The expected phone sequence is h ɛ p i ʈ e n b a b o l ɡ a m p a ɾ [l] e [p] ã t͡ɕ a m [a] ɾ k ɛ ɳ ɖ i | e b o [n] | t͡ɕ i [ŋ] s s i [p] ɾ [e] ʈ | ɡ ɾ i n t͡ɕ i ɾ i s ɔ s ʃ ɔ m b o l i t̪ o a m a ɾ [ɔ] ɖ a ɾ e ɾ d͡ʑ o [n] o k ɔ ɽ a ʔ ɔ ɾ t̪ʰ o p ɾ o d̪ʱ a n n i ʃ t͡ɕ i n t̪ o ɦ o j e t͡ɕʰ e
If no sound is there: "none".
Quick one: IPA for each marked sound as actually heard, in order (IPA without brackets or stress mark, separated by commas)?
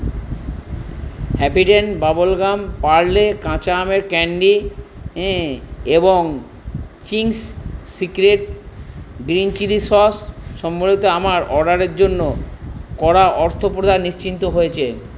l, k, e, ŋ, ŋ, k, e, ɔ, nː